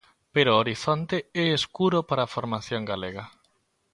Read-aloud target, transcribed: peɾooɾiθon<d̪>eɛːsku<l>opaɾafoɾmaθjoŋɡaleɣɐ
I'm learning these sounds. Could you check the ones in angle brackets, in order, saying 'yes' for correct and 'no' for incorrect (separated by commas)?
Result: no, no